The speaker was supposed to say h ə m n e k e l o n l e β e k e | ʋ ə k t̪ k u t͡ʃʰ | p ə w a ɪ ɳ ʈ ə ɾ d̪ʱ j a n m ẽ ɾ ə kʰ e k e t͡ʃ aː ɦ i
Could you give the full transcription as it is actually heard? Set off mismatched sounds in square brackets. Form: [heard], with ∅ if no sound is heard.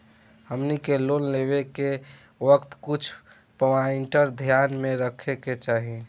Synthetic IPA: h ə m n [i] k e l o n l e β e k e | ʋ ə k t̪ k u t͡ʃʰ | p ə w a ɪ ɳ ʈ ə ɾ d̪ʱ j a n m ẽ ɾ ə kʰ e k e t͡ʃ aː ɦ i